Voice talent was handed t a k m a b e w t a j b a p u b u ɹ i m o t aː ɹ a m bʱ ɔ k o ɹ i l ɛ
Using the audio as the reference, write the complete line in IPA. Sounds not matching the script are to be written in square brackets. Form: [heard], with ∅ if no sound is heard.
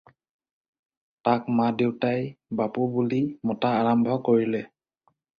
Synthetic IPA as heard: t a k m a [d] e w t a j b a p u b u [l] i m [ɔ] t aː ɹ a m bʱ ɔ k o ɹ i l ɛ